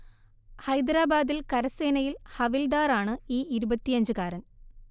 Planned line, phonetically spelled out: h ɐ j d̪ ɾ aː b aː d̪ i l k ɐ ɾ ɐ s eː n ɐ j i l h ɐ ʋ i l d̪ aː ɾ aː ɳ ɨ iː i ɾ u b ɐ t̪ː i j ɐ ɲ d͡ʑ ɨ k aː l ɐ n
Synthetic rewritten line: h ɐ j d̪ ɾ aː b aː d̪ i l k ɐ ɾ ɐ s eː n ɐ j i l h ɐ ʋ i l d̪ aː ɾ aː ɳ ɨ iː i ɾ u b ɐ t̪ː i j ɐ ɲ d͡ʑ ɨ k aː ɾ ɐ n